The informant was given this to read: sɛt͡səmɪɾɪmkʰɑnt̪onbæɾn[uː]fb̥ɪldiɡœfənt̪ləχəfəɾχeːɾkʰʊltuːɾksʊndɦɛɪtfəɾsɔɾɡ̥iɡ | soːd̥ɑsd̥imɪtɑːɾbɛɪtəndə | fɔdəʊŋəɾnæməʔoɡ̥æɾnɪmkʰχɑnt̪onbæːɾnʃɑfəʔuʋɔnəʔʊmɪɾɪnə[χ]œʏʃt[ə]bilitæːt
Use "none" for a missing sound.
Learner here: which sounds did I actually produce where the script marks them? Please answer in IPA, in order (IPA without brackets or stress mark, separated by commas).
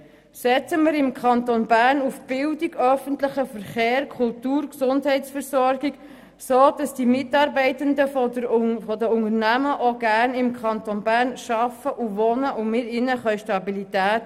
u, χ, ɑ